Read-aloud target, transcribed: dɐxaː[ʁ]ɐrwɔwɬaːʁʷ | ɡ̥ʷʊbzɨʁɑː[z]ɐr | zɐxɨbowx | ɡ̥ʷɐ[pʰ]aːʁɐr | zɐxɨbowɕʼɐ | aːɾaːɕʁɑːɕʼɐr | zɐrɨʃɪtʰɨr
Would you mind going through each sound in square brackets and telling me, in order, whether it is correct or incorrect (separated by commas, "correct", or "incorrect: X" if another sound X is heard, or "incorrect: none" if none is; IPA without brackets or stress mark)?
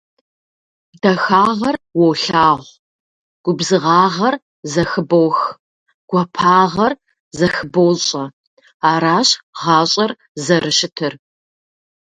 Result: correct, incorrect: ʁ, correct